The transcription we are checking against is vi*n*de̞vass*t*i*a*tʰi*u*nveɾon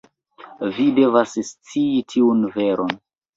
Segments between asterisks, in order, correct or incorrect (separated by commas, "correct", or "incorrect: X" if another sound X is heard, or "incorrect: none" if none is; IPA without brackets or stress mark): incorrect: none, incorrect: t͡s, incorrect: i, correct